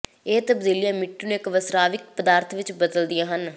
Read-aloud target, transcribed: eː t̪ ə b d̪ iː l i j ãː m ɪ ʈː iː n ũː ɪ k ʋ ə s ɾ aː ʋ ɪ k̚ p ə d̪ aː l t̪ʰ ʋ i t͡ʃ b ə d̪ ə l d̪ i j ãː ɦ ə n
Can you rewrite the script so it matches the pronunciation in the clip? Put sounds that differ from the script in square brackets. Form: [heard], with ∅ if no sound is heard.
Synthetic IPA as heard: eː t̪ ə b d̪ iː l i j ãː m ɪ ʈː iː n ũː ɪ k ʋ ə s ɾ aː ʋ ɪ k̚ p ə d̪ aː [ɾ] t̪ʰ ʋ [ɪ] t͡ʃ b ə d̪ ə l d̪ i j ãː ɦ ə n